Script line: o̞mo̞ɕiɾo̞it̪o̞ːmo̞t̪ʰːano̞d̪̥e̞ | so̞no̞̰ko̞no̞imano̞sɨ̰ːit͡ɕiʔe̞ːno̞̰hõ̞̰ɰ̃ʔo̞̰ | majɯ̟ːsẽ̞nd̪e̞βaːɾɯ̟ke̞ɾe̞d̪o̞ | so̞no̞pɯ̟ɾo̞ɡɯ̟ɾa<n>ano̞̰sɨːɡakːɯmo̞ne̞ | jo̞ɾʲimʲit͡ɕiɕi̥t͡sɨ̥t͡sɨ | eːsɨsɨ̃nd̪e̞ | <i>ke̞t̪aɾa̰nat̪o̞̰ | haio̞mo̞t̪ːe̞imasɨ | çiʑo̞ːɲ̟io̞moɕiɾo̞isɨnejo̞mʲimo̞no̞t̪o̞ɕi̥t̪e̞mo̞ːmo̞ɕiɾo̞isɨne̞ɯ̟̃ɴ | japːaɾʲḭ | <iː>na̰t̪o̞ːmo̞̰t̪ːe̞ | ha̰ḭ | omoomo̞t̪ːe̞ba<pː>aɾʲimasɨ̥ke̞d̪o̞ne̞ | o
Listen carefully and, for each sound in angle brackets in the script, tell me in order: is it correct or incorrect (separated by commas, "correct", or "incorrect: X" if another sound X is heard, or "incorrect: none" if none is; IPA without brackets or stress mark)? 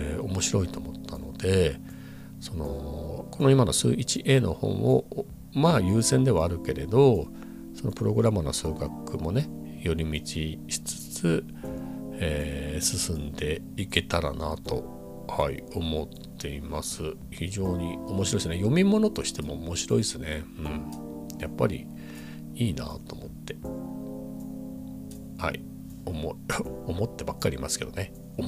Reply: incorrect: m, correct, correct, incorrect: kː